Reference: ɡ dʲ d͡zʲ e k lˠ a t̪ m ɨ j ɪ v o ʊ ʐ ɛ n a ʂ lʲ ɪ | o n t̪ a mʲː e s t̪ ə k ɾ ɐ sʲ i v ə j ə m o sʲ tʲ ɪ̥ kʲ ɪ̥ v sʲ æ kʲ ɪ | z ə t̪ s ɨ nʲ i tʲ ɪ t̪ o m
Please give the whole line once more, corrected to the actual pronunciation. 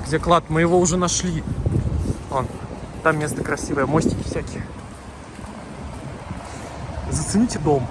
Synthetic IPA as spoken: ɡ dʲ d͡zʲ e k lˠ a t̪ m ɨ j ɪ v o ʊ ʐ ɛ n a ʂ lʲ i | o n t̪ a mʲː e s t̪ ə k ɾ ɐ sʲ i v ə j ə m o sʲ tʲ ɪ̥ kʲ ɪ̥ f sʲ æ kʲ ɪ | z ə t̪ s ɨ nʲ i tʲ ɪ d̪ o m

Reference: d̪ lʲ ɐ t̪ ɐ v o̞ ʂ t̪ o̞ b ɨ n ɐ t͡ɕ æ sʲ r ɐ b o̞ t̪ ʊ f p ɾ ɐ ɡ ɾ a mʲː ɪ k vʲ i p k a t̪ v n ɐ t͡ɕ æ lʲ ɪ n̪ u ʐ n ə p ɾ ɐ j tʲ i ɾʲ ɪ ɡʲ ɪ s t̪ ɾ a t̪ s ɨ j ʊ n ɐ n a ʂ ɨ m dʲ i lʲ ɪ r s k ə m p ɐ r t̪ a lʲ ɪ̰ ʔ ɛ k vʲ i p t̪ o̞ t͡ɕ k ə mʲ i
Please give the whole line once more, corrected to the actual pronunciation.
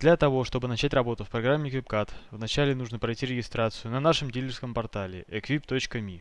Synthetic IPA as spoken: d̪ lʲ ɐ t̪ ɐ v o̞ ʂ t̪ o̞ b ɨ n ɐ t͡ɕ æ tʲ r ɐ b o̞ t̪ ʊ f p ɾ ɐ ɡ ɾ a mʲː ɪ k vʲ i p k a t̪ v n ɐ t͡ɕ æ lʲ ɪ n̪ u ʐ n ə p ɾ ɐ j tʲ i ɾʲ ɪ ɡʲ ɪ s t̪ ɾ a t̪ s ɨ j ʊ n ɐ n a ʂ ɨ m dʲ i lʲ ɪ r s k ə m p ɐ r t̪ a lʲ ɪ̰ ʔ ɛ k vʲ i p t̪ o̞ t͡ɕ k ə mʲ i

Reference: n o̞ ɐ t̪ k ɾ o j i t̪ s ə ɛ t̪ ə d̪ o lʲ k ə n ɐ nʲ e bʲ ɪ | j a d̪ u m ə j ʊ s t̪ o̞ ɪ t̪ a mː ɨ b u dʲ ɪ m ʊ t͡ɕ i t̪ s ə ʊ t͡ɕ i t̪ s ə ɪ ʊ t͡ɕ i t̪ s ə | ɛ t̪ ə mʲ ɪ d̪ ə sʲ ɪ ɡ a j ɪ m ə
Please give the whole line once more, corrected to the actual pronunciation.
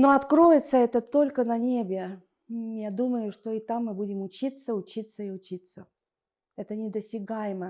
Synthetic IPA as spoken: n o̞ ɐ t̪ k ɾ o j ɪ t̪ s ə ɛ t̪ ə t̪ o lʲ k ə n ɐ nʲ e bʲ ɪ | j a d̪ u m ə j ʊ ʂ t̪ o̞ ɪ t̪ a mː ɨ b u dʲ ɪ m ʊ t͡ɕ i t̪ s ə ʊ t͡ɕ i t̪ s ə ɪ ʊ t͡ɕ i t̪ s ə | ɛ t̪ ə nʲ ɪ d̪ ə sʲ ɪ ɡ a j ɪ m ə

